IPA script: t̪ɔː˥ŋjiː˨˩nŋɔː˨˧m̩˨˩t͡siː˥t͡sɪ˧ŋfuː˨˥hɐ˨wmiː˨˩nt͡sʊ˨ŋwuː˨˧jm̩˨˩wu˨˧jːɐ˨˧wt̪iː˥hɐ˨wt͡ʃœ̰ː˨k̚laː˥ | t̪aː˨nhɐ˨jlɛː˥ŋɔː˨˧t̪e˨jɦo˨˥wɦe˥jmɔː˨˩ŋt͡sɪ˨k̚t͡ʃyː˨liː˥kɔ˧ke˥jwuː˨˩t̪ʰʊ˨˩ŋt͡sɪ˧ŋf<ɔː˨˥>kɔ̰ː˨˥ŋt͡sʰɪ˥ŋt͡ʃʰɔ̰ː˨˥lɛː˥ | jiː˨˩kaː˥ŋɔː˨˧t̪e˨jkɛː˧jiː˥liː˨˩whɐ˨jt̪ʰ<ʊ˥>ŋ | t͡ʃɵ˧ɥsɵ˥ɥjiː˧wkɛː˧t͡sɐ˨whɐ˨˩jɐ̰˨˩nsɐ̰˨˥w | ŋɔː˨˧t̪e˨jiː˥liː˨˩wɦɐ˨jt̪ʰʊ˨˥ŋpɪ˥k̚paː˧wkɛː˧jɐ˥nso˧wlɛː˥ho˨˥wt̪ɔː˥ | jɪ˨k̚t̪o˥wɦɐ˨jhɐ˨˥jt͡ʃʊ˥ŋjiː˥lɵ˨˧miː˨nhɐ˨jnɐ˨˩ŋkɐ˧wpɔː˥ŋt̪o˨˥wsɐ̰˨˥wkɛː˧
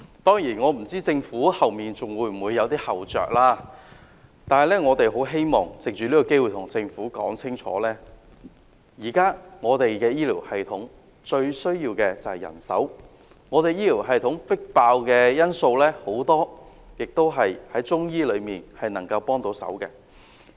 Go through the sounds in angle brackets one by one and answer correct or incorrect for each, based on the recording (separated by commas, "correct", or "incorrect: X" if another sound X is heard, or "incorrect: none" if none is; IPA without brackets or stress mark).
incorrect: uː˨˥, incorrect: ʊ˨˥